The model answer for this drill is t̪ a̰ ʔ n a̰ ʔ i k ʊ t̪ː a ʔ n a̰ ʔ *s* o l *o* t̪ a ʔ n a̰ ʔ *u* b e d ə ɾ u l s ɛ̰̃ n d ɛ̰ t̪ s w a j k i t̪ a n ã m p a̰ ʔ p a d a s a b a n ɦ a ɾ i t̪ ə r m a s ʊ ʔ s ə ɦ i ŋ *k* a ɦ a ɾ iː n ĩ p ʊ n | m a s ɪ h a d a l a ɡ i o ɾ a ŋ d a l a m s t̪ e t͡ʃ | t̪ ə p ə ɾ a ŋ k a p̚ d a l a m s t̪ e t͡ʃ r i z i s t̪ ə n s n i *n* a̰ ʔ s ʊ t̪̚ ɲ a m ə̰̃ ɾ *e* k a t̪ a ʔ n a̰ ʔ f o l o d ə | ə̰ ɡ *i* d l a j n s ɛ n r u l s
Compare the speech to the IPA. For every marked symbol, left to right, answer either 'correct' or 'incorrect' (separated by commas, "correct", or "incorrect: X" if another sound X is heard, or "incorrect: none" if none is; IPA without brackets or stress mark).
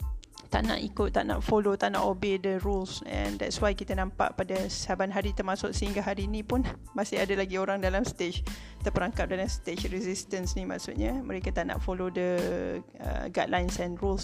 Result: incorrect: f, correct, incorrect: o, incorrect: ɡ, incorrect: m, correct, incorrect: a